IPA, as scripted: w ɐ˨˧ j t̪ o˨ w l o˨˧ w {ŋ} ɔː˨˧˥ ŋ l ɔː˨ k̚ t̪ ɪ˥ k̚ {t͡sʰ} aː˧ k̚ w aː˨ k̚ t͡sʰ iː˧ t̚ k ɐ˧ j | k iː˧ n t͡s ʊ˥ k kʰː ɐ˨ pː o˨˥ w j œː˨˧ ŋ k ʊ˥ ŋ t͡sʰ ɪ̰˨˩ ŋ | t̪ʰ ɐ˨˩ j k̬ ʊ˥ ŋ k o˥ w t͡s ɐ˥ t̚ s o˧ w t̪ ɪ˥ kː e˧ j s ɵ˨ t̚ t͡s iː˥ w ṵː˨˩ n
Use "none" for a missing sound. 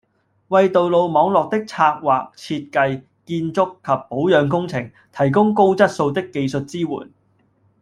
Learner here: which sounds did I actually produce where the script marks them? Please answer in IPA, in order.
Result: m, t͡sʰ

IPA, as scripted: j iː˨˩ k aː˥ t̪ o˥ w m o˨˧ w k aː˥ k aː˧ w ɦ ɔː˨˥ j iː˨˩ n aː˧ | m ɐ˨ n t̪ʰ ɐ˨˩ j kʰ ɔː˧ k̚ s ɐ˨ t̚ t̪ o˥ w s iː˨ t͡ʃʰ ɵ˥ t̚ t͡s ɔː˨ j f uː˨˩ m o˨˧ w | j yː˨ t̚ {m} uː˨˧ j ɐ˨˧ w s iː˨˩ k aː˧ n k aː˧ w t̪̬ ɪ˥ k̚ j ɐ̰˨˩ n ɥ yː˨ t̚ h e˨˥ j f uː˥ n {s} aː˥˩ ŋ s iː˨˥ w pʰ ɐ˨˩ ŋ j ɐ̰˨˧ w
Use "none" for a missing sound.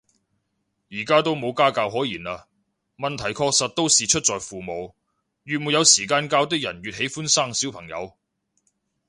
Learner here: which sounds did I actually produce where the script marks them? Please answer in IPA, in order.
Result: m, s

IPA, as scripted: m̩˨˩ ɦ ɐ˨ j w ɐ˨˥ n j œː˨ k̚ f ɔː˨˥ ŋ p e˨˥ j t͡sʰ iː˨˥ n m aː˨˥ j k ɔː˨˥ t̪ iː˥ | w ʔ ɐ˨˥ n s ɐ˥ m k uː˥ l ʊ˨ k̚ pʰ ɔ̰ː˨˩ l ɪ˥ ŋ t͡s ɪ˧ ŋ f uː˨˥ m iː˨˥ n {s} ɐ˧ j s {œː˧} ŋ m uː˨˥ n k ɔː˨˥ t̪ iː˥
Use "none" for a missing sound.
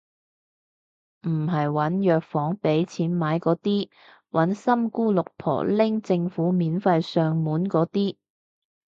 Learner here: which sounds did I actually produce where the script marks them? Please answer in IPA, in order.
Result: f, œː˧

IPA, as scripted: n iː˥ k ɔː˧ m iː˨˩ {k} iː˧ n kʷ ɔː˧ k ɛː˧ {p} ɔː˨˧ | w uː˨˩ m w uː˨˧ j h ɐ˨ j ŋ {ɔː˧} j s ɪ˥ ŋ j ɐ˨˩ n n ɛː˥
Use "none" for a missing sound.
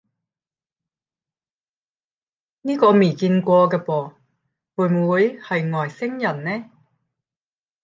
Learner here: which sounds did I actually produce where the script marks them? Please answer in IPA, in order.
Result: k, p, ɔː˨˩

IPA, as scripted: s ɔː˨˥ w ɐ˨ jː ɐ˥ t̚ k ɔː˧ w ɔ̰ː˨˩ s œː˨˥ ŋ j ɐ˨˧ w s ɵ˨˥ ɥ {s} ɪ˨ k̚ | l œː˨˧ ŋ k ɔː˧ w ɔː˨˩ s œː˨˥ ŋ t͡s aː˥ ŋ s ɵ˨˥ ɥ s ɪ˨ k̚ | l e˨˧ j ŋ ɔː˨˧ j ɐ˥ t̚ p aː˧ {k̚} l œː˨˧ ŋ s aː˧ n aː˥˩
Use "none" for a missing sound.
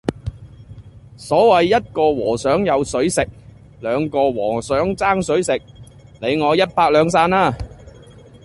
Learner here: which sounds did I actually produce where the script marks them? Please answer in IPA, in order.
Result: s, k̚

